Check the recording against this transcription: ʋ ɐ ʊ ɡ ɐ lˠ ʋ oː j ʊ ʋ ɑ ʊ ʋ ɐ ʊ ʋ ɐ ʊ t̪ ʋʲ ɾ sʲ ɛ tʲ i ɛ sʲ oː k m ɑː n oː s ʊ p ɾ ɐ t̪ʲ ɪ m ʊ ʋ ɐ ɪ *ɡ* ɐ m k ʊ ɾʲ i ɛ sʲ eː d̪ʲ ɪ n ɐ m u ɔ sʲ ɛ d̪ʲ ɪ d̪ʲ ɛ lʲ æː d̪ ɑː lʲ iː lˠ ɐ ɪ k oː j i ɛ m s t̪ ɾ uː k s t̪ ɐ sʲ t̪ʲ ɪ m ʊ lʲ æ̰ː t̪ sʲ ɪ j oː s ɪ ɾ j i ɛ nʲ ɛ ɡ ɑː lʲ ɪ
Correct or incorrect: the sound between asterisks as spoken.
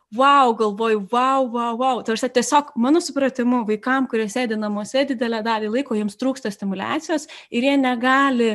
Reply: incorrect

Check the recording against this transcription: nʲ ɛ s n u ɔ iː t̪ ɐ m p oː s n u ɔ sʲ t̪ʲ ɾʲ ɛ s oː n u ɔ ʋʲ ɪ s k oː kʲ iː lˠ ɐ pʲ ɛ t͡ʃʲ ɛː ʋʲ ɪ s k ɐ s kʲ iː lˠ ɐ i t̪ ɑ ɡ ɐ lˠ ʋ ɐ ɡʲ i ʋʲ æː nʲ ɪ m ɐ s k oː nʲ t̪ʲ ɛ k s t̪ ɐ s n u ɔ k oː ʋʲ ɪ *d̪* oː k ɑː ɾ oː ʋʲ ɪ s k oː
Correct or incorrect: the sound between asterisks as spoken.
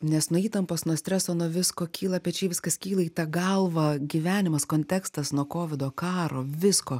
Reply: correct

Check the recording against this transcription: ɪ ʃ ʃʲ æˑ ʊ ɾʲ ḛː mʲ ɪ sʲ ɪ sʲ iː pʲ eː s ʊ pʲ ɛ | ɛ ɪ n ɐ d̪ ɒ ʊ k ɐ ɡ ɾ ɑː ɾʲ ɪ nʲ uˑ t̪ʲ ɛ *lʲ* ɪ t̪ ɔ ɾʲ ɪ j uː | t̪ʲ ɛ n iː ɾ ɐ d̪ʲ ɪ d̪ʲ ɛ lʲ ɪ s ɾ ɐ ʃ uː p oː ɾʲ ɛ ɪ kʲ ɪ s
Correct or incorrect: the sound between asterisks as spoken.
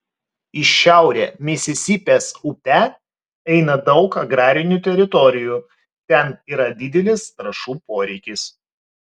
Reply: incorrect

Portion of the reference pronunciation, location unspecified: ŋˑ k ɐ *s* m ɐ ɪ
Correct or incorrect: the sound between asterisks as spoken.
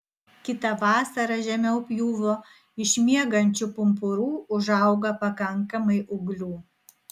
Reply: incorrect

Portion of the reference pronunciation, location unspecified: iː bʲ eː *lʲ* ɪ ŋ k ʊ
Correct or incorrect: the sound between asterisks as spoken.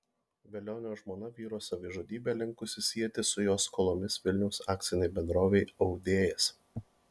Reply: correct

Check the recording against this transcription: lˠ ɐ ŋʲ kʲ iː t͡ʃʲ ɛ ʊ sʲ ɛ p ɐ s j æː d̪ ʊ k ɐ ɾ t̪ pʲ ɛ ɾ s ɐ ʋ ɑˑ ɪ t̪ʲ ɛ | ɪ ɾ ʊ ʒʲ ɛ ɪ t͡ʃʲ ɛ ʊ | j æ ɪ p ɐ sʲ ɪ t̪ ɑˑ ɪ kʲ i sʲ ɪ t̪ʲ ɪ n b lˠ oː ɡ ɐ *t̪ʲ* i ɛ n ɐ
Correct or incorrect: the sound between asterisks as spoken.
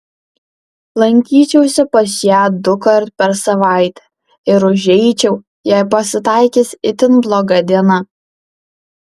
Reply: incorrect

